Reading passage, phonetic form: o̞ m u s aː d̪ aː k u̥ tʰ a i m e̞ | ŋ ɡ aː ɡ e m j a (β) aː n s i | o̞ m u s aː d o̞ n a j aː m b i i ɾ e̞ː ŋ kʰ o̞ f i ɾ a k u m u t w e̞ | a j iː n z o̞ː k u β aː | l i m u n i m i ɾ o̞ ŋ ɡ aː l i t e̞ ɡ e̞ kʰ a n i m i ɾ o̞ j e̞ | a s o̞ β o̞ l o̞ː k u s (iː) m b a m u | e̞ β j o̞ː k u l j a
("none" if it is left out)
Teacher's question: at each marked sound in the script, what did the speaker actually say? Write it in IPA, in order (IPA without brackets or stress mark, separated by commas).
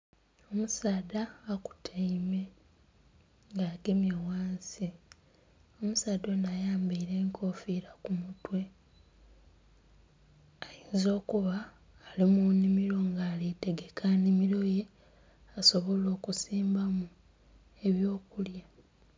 w, iː